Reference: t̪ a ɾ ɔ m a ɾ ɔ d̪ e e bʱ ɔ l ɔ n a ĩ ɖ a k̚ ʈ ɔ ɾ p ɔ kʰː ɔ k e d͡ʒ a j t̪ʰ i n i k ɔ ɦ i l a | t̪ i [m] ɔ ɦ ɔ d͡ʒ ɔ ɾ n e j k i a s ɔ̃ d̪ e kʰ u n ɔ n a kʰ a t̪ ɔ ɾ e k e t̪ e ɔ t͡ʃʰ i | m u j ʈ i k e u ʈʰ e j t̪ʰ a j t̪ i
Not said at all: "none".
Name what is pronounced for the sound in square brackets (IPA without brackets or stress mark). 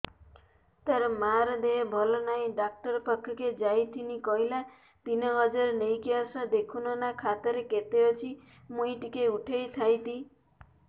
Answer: n